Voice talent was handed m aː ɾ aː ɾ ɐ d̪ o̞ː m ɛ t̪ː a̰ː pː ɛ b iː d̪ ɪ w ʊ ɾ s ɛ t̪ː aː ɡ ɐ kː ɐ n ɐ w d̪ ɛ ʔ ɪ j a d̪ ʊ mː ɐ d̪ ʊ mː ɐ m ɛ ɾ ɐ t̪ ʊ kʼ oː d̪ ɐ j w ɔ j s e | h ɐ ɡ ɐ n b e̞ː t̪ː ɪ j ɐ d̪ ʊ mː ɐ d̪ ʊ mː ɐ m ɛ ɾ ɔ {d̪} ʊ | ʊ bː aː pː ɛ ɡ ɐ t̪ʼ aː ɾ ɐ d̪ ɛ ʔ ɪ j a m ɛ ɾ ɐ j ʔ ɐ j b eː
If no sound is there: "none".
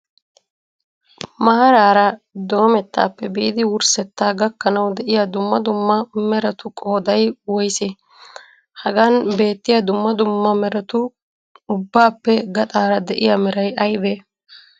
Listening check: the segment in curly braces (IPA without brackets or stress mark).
t̪